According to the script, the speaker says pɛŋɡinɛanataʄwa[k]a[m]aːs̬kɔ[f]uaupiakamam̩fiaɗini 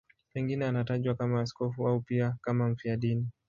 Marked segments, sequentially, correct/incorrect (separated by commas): correct, correct, correct